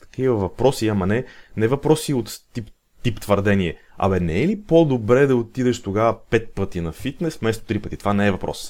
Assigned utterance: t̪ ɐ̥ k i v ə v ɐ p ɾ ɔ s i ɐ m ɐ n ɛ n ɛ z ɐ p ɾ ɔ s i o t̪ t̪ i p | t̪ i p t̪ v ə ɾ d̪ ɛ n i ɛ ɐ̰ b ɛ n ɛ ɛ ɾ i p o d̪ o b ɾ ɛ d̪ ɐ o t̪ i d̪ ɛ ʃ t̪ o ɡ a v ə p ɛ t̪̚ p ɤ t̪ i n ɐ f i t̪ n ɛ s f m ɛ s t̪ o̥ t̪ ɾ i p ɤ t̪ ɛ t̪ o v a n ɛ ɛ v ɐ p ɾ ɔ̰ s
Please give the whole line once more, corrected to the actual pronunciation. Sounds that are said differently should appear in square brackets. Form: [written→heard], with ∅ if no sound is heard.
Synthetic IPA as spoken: t̪ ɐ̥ k i v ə v ɐ p ɾ ɔ s i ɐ m ɐ n ɛ n ɛ [z→v] ɐ p ɾ ɔ s i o t̪ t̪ i p | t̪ i p t̪ v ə ɾ d̪ ɛ n i ɛ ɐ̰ [b→m] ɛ n ɛ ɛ [ɾ→l] i p o d̪ o b ɾ ɛ d̪ ɐ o t̪ i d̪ ɛ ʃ t̪ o ɡ a v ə p ɛ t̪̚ p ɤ t̪ i n ɐ f i t̪ n ɛ s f m ɛ s t̪ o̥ t̪ ɾ i p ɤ t̪ [ɛ→i] t̪ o v a n ɛ ɛ v ɐ p ɾ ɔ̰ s